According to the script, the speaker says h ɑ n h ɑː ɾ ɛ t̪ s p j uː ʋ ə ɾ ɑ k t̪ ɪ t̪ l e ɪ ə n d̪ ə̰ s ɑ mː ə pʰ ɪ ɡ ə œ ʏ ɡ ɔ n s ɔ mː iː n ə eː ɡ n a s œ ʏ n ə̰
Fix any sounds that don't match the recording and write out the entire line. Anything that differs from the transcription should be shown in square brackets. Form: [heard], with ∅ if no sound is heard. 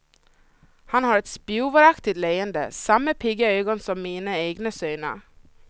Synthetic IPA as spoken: h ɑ n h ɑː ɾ ɛ t̪ s p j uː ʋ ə ɾ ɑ k t̪ ɪ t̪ l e ɪ ə n d̪ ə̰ s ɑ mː ə pʰ ɪ ɡ ə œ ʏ ɡ ɔ n s ɔ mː iː n ə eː ɡ n [ə] s œ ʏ n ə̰